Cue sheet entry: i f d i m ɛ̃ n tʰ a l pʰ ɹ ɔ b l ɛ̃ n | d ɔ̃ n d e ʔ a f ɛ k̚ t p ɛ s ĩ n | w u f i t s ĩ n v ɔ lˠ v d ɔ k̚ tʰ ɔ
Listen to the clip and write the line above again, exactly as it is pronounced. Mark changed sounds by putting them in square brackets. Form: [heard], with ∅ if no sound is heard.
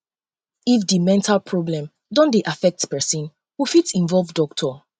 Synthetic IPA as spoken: i f d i m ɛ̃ n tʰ a l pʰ ɹ ɔ b l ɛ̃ [m] | d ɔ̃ n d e ʔ a f ɛ k̚ t p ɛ s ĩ n | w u f i t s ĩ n v ɔ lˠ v d ɔ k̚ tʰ ɔ